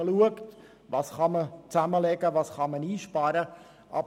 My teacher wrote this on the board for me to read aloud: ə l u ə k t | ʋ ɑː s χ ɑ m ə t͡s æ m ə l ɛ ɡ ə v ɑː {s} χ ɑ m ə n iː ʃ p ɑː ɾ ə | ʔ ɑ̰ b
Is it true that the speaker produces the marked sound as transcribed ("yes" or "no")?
yes